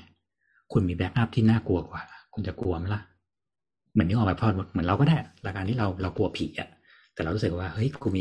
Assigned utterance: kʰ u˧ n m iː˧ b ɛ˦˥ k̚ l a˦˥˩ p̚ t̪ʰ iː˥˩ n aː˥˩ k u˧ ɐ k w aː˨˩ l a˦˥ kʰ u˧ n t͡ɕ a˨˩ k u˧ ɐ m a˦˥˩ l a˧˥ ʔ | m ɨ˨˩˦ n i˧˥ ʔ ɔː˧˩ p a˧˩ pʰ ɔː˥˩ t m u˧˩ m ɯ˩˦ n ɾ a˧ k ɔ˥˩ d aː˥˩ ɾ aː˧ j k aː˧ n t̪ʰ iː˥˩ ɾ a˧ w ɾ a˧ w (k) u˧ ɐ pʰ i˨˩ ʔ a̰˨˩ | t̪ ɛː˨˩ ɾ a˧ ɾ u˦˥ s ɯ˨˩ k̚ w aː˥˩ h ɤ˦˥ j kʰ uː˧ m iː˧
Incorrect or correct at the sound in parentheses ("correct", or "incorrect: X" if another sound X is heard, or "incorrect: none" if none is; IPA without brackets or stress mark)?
correct